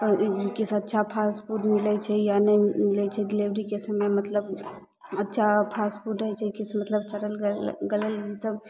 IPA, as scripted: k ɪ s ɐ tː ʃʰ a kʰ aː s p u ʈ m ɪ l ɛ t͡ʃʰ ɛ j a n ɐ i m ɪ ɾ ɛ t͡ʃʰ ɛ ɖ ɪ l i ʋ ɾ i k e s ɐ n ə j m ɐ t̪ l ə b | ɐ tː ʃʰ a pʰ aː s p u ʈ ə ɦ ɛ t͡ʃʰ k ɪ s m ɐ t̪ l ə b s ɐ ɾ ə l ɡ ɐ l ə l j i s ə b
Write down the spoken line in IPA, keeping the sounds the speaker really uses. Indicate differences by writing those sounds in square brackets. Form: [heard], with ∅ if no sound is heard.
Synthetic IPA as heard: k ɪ s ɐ tː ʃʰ a [pʰ] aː s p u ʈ m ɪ l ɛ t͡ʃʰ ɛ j a n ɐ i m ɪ [l] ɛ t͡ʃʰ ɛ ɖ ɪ l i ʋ ɾ i k e s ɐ [m] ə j m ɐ t̪ l ə b | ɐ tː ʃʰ a pʰ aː s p u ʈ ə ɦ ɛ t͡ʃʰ k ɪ s m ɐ t̪ l ə b s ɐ ɾ ə l ɡ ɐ l ə l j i s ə b